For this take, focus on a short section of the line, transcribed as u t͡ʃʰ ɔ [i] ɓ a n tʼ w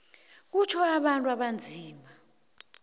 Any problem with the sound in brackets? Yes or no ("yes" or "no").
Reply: yes